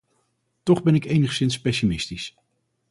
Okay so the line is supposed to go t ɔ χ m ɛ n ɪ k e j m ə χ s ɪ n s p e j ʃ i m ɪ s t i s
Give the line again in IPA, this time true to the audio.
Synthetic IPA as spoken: t ɔ χ b ɛ n ɪ k e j n ə χ s ɪ n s p e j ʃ i m ɪ s t i s